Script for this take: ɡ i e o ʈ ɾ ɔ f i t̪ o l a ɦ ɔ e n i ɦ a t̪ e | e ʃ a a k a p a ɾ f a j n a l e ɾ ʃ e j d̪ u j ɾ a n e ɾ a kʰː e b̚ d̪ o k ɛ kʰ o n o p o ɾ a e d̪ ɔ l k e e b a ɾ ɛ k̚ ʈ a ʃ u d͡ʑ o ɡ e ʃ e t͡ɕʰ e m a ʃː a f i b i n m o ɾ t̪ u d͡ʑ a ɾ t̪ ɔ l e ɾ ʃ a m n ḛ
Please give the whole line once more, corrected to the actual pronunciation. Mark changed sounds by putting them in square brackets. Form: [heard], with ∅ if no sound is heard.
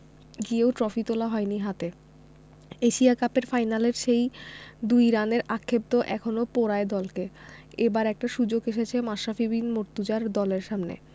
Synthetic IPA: ɡ i e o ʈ ɾ ɔ f i t̪ o l a ɦ ɔ e n i ɦ a t̪ e | e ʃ [i] a k a p [e] ɾ f a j n a l e ɾ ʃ e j d̪ u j ɾ a n e ɾ a kʰː e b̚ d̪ o [ʔ] ɛ kʰ o n o p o ɾ a e d̪ ɔ l k e e b a ɾ ɛ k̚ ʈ a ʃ u d͡ʑ o ɡ e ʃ e t͡ɕʰ e m a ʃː a f i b i n m o ɾ t̪ u d͡ʑ a ɾ [d̪] ɔ l e ɾ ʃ a m n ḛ